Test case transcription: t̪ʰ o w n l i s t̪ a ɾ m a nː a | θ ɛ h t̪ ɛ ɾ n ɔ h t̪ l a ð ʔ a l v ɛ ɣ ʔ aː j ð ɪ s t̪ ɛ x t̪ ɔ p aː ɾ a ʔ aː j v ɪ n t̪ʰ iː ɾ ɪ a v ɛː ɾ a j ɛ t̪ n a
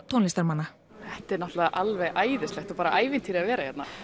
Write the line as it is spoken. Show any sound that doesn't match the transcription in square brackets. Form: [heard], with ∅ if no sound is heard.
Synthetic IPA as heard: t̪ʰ o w n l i s t̪ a ɾ m a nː a | θ ɛ h t̪ ɛ ɾ n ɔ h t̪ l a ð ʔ a l v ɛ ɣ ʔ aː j ð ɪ s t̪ ɛ x t̪ ɔ p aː ɾ a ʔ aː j v ɪ n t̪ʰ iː ɾ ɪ a v ɛː ɾ a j ɛ t̪ n a